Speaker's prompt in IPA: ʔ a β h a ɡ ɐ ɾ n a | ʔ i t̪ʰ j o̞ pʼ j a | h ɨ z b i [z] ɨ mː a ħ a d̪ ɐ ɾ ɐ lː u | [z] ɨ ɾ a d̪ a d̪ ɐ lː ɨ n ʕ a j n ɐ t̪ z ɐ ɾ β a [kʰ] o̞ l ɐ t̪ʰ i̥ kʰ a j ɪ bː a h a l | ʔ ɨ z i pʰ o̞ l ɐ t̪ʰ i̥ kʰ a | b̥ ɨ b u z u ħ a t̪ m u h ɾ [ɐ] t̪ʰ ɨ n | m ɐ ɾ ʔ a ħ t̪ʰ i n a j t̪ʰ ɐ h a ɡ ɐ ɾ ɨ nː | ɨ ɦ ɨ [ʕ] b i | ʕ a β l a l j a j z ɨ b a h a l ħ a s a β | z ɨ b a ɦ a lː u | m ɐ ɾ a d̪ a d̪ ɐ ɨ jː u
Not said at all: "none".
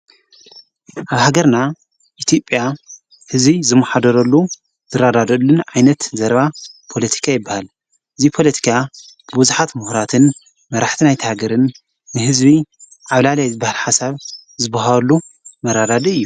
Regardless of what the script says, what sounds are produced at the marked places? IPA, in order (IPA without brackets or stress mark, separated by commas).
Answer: z, z, pʰ, a, z